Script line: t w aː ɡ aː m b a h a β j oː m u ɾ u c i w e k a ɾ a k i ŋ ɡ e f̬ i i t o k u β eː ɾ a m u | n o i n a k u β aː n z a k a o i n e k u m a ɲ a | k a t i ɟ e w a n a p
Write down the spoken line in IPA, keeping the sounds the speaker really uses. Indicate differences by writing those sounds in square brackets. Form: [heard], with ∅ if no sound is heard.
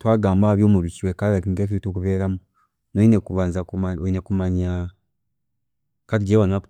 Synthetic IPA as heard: t w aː ɡ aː m b a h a β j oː m u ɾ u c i w e k a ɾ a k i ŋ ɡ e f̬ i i t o k u β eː ɾ a m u | n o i n [e] k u β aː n z a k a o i n e k u m a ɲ a | k a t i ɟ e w a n a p